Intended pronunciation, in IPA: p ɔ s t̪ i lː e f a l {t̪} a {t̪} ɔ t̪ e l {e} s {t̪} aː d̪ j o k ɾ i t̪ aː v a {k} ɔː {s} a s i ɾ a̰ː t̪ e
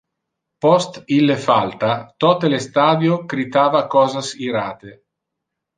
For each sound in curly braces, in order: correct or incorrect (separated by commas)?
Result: correct, correct, correct, correct, correct, incorrect